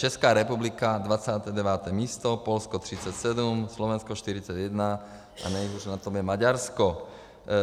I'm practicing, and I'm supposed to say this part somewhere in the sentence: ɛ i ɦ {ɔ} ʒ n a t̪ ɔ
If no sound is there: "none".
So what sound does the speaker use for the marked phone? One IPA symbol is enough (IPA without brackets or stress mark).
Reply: u